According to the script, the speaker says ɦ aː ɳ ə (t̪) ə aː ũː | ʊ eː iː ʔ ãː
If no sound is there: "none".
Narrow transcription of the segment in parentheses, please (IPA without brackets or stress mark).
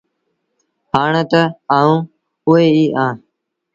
t̪